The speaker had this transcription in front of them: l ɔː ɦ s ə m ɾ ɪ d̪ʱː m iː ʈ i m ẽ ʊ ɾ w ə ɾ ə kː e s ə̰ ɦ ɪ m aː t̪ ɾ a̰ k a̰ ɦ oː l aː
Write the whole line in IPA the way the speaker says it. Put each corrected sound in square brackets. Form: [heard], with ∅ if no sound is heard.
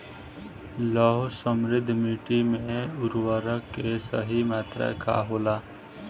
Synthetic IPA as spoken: l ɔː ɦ s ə m ɾ ɪ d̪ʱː m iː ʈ i m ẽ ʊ ɾ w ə ɾ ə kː e s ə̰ ɦ [i] m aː t̪ ɾ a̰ k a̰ ɦ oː l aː